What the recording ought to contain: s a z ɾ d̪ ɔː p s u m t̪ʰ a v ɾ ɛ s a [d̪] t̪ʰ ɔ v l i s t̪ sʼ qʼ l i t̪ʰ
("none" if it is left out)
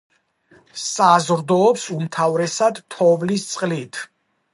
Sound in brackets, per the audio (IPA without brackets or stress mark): d̪